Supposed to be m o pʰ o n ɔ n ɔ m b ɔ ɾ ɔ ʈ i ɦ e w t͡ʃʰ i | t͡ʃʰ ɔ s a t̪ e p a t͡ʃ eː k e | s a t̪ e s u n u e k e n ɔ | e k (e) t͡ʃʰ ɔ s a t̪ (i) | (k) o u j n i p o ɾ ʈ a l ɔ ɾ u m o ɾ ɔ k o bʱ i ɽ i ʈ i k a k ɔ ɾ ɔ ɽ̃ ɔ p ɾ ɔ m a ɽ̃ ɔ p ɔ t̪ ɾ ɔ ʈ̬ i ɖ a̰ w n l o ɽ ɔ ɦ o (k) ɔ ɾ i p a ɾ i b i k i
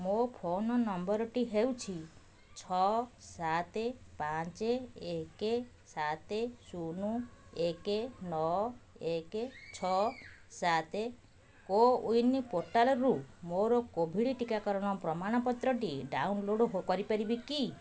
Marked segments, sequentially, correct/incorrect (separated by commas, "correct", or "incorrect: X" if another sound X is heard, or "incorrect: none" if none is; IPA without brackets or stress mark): correct, incorrect: e, correct, correct